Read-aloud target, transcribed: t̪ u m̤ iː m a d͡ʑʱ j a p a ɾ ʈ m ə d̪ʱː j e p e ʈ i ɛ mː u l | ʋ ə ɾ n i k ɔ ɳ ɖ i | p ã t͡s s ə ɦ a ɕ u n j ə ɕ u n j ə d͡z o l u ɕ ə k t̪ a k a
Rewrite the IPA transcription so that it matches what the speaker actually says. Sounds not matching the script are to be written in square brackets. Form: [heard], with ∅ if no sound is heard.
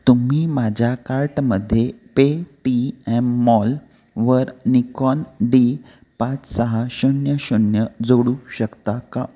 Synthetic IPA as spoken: t̪ u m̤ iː m a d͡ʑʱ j a [k] a ɾ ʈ m ə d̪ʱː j e p e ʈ i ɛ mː [ɔ] l | ʋ ə ɾ n i k ɔ [n] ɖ i | p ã t͡s s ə ɦ a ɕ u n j ə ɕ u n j ə d͡z o [ɽ] u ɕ ə k t̪ a k a

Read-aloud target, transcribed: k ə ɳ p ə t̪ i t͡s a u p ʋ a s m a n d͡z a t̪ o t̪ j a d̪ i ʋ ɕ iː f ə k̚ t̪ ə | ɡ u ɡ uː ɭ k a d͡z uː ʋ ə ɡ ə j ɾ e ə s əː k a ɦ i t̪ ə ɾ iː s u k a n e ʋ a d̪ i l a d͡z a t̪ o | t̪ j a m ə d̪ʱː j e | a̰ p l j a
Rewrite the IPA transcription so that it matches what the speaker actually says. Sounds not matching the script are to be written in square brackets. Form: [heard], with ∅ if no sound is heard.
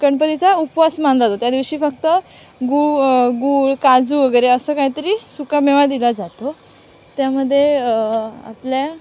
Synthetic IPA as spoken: k ə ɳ p ə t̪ i t͡s a u p ʋ a s m a n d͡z a t̪ o t̪ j a d̪ i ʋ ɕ iː f ə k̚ t̪ ə | ɡ u ɡ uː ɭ k a d͡z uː ʋ ə ɡ ə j ɾ e ə s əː k a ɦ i t̪ ə ɾ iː s u k a [m] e ʋ a d̪ i l a d͡z a t̪ o | t̪ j a m ə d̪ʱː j e | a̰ p l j a

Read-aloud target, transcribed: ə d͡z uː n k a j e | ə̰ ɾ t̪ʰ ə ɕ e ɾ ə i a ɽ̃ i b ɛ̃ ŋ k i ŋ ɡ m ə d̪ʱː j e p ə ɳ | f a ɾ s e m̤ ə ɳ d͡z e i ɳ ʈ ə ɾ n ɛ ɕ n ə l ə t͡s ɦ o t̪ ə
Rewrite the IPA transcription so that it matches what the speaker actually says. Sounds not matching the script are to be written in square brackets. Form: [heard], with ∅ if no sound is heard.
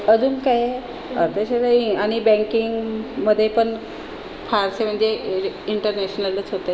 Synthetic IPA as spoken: ə d͡z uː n k a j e | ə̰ ɾ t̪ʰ ə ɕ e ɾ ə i a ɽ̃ i b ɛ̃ ŋ k i ŋ ɡ m ə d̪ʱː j e p ə ɳ | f a ɾ s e m̤ ə ɳ d͡z e i ɳ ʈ ə ɾ n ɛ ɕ n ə l ə t͡s ɦ o t̪ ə

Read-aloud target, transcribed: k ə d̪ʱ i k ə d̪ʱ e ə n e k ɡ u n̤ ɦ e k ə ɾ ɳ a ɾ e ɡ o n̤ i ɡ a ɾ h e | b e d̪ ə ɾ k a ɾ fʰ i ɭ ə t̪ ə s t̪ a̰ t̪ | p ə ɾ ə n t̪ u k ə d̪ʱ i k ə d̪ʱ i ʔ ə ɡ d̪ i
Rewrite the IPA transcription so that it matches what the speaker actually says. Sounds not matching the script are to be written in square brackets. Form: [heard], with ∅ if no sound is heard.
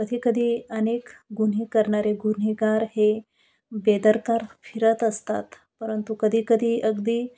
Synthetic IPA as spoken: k ə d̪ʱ i k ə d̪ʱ [i] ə n e k ɡ u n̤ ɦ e k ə ɾ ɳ a ɾ e ɡ [u] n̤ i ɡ a ɾ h e | b e d̪ ə ɾ k a ɾ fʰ i [ɾ] ə t̪ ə s t̪ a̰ t̪ | p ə ɾ ə n t̪ u k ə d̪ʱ i k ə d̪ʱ i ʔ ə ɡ d̪ i

